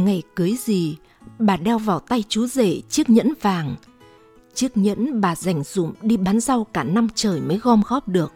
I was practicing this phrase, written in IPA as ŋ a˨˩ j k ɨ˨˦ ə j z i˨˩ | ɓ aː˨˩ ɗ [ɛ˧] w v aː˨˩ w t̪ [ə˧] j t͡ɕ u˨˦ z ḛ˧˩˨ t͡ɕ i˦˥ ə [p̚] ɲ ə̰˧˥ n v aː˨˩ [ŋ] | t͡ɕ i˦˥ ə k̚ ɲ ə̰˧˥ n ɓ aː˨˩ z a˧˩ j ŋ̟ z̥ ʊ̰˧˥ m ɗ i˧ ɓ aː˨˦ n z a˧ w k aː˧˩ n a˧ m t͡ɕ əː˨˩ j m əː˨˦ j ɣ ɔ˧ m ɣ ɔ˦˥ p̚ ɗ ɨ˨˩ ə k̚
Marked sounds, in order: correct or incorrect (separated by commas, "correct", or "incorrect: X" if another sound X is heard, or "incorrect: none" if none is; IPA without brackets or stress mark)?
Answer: correct, incorrect: a˧, incorrect: k̚, correct